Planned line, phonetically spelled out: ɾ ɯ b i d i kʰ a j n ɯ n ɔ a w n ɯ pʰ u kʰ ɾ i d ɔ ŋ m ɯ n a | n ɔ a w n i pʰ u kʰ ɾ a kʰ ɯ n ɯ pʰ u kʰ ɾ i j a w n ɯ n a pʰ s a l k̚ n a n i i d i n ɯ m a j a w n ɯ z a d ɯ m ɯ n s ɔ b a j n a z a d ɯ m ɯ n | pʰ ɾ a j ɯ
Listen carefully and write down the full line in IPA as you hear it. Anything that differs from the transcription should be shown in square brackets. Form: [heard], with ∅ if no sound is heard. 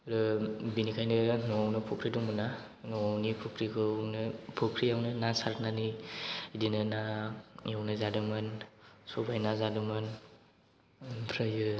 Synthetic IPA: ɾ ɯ b i [n] i kʰ a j n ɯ n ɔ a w n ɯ pʰ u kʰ ɾ i d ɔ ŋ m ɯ n a | n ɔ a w n i pʰ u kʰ ɾ [i] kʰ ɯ n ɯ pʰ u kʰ ɾ i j a w n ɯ n a [∅] s a [ɾ] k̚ n a n i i d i n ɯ [n] a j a w n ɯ z a d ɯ m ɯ n s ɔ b a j n a z a d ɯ m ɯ n | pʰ ɾ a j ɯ